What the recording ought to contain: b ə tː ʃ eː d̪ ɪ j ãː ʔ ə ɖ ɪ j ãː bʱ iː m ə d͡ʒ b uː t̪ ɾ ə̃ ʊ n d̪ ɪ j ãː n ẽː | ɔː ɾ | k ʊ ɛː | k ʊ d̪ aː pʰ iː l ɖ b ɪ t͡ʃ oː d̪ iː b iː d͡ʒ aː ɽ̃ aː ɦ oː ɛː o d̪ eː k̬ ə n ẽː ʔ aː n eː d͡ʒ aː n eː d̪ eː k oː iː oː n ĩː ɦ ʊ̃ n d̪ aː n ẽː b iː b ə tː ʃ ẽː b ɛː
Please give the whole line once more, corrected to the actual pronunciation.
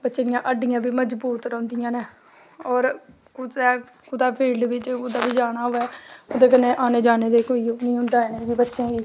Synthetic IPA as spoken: b ə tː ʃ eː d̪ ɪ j ãː ʔ ə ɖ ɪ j ãː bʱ iː m ə d͡ʒ b uː t̪ ɾ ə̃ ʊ n d̪ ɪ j ãː n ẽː | ɔː ɾ | k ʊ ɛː | k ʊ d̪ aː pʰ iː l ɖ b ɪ t͡ʃ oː d̪ aː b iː d͡ʒ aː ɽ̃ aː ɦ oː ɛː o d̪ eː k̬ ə n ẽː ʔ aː n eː d͡ʒ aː n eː d̪ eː k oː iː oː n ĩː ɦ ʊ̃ n d̪ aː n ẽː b iː b ə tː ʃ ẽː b iː